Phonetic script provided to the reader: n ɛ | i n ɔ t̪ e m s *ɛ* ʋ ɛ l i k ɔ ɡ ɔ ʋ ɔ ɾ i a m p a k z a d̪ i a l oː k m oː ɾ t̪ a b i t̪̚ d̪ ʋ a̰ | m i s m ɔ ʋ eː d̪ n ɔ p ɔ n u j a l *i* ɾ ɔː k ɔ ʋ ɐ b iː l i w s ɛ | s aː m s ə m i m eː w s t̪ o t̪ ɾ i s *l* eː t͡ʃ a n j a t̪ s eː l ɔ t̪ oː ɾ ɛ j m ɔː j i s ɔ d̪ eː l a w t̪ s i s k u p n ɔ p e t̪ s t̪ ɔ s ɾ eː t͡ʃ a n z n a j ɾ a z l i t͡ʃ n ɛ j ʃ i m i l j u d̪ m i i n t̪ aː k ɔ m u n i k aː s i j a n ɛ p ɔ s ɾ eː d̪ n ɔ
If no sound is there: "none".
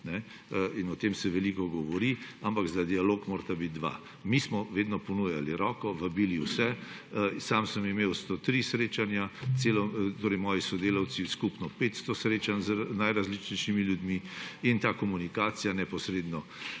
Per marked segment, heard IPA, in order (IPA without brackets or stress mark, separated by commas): ɛ, i, ɾ